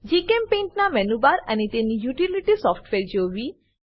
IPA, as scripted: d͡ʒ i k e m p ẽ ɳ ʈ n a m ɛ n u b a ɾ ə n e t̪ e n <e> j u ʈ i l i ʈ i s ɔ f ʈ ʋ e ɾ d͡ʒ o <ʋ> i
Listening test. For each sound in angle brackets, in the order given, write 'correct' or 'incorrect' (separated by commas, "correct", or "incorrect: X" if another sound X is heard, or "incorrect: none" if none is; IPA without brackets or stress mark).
incorrect: i, correct